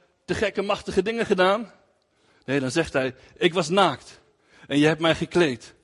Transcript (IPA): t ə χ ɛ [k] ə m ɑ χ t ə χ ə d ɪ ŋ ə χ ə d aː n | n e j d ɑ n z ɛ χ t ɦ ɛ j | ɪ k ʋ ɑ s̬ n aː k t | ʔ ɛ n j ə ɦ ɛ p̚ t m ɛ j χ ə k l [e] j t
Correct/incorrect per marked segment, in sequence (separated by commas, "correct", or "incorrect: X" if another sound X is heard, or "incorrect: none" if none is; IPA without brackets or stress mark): correct, correct